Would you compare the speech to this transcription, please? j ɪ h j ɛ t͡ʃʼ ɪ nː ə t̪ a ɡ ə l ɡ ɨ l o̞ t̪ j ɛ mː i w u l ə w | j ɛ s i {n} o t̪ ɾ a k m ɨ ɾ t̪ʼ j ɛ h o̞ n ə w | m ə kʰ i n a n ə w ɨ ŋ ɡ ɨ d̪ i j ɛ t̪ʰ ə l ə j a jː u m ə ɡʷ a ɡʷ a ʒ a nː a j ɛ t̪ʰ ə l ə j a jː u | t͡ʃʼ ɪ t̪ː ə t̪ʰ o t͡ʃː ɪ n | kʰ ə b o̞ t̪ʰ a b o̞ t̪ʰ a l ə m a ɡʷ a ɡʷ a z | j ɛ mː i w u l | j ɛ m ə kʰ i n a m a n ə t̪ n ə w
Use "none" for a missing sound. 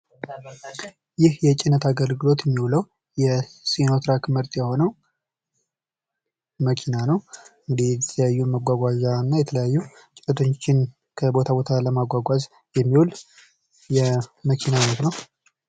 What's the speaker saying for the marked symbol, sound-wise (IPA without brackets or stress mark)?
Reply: n